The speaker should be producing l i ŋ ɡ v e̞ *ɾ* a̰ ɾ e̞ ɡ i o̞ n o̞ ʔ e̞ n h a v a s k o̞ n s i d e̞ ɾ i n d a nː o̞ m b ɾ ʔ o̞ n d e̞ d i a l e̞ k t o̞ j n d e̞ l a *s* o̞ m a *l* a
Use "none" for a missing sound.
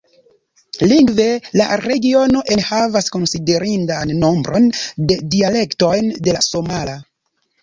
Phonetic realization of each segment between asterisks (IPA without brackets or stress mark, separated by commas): l, s, l